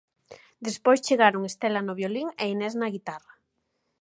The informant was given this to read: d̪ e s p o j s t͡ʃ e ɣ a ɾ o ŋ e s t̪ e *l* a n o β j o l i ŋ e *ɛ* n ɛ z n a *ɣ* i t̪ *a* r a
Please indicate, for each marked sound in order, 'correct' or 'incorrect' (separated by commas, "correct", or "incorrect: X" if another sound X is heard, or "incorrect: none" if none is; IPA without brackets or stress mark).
correct, incorrect: i, correct, correct